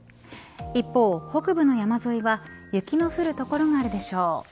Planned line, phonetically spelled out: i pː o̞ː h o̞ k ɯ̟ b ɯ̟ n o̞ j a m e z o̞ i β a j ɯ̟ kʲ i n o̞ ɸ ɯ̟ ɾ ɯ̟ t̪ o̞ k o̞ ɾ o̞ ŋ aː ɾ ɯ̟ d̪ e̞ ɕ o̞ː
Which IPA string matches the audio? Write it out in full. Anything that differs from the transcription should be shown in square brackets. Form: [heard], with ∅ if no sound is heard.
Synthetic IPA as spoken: i pː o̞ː h o̞ k ɯ̟ b ɯ̟ n o̞ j a m [a] z o̞ i β a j ɯ̟ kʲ i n o̞ ɸ ɯ̟ ɾ ɯ̟ t̪ o̞ k o̞ ɾ o̞ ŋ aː ɾ ɯ̟ d̪ e̞ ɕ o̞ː